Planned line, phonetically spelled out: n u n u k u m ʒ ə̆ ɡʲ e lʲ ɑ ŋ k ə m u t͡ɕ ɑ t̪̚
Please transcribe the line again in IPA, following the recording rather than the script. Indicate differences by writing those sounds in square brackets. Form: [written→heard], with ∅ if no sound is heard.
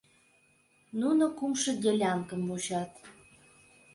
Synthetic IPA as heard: n u n [u→o] k u m [ʒ→ʃ] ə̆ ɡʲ e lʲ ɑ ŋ k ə m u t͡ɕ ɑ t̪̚